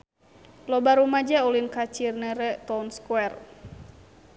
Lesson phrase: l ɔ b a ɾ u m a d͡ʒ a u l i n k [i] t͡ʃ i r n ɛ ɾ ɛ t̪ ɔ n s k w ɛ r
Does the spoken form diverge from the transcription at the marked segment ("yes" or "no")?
yes